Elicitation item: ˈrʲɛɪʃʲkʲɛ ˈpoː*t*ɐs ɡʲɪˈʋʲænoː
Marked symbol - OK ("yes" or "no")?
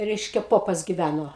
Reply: no